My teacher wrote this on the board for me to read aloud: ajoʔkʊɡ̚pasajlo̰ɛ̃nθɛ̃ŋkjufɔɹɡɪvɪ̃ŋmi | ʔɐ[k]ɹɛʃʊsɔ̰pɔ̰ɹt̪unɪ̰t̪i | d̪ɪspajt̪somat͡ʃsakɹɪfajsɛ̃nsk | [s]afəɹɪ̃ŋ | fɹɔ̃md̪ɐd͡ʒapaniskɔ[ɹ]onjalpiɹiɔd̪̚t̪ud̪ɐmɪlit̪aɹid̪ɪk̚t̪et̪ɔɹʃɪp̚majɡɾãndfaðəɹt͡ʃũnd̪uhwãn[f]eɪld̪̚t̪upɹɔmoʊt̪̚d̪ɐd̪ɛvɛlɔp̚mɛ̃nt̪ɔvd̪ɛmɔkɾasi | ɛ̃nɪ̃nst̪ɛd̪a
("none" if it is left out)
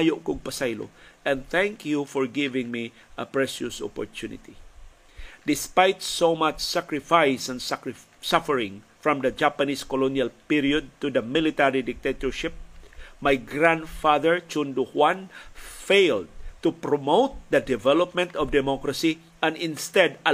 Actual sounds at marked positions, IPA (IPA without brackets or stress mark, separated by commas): p, s, l, f